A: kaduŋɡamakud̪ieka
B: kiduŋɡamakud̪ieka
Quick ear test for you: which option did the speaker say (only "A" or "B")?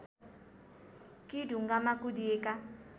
B